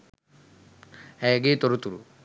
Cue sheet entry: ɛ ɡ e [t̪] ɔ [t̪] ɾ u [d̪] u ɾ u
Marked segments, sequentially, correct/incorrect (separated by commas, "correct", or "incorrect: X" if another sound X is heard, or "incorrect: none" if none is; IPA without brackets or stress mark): correct, incorrect: none, incorrect: t̪